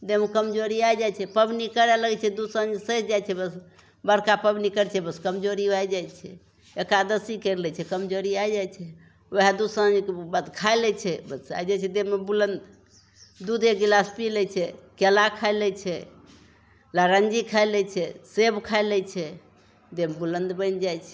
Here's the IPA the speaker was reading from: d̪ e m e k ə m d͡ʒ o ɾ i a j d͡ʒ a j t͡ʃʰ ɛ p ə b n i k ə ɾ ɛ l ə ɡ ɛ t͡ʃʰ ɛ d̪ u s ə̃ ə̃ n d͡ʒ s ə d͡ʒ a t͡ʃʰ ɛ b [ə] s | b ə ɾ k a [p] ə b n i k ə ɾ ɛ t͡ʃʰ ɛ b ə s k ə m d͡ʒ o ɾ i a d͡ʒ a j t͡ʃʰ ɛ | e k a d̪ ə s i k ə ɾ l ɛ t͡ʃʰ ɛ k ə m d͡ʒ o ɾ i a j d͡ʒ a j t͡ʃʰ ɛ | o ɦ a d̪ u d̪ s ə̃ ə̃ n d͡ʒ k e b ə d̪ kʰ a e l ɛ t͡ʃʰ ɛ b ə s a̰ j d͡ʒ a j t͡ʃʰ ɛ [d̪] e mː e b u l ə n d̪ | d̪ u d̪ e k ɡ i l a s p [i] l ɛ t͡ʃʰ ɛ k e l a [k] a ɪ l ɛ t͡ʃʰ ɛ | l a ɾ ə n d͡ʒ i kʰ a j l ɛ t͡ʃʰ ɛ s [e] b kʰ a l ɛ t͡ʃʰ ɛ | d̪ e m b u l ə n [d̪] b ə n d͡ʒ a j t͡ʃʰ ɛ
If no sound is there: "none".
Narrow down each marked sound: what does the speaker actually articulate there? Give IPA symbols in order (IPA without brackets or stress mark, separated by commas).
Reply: ə, p, d̪, i, kʰ, e, d̪